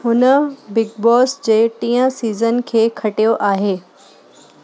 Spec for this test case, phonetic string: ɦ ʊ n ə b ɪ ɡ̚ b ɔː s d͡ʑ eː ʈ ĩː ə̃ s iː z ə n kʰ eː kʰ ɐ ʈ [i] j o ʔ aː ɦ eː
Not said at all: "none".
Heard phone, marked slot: i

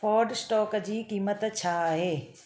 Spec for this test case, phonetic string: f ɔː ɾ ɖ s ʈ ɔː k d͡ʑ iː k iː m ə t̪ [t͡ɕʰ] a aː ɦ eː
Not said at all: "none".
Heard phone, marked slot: t͡ɕʰ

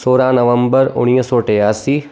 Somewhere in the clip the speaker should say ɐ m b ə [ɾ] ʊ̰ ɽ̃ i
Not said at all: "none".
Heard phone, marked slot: ɾ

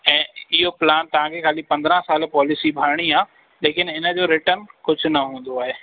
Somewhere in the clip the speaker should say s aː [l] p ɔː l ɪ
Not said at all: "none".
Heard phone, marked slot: l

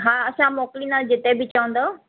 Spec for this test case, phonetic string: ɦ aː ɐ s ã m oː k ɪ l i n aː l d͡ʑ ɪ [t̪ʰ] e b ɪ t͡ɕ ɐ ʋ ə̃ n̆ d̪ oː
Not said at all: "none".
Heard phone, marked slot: t̪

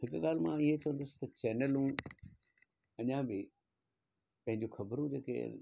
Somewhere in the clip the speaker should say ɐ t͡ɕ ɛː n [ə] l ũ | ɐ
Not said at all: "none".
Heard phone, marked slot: ə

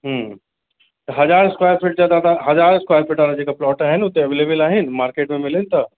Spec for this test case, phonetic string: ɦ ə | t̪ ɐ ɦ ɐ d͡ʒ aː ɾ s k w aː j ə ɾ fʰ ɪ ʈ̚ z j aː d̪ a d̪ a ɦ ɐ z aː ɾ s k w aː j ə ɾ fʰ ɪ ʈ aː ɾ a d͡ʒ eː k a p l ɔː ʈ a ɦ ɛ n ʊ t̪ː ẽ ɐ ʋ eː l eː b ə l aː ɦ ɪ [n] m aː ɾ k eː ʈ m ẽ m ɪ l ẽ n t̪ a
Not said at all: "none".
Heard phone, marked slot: n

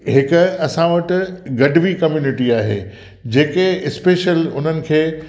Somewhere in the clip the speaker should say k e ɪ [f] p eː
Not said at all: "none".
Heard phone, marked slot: s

